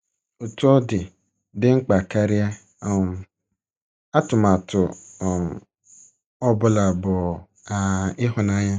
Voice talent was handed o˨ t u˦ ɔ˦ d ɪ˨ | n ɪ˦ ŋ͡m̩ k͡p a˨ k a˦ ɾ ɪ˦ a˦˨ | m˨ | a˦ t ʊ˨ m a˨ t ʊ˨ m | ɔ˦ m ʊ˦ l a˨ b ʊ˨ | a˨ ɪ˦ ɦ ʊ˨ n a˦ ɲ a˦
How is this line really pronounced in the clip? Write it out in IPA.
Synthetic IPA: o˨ t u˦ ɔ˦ d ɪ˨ | d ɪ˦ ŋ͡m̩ k͡p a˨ k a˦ ɾ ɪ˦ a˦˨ | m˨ | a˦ t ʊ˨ m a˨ t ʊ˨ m | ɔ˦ b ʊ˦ l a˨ b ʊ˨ | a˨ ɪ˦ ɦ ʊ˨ n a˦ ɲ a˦